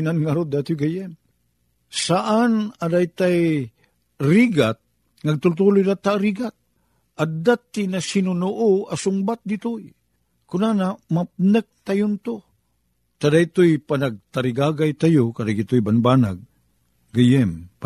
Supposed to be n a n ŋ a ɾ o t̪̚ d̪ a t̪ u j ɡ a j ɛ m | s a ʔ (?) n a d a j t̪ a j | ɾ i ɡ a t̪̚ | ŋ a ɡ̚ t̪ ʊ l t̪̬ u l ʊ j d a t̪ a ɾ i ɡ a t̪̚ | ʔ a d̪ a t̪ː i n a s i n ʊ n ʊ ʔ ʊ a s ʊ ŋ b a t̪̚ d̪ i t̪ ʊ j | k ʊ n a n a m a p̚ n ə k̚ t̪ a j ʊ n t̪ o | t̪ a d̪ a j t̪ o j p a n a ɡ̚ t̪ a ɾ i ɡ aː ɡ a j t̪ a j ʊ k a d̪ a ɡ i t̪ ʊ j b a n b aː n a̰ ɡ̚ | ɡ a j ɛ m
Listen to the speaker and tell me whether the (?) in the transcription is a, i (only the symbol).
a